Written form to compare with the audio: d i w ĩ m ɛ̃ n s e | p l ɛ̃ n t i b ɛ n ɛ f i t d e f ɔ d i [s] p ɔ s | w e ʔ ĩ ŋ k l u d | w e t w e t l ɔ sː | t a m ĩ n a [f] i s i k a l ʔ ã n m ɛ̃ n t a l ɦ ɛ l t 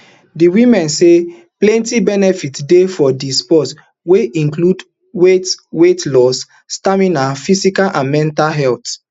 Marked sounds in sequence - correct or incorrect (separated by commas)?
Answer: correct, correct